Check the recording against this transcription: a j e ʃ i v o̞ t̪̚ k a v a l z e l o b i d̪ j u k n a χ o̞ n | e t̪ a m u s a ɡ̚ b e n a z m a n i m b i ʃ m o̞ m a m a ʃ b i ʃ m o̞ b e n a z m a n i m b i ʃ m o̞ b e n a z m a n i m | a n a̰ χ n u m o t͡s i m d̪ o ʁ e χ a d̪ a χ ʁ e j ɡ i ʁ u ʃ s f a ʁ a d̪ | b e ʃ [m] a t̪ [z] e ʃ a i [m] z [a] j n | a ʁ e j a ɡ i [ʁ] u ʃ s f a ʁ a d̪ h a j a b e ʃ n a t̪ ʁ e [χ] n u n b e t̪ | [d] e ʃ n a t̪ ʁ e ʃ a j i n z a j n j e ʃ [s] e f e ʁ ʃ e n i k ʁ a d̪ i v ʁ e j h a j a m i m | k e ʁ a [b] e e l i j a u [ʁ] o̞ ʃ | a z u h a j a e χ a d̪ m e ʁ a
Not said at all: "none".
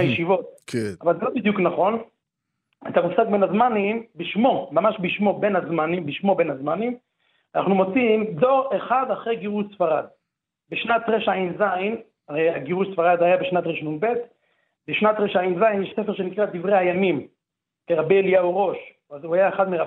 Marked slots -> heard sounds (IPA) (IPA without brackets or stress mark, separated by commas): n, ʁ, n, a, ʁ, ʃ, b, s, b, ʁ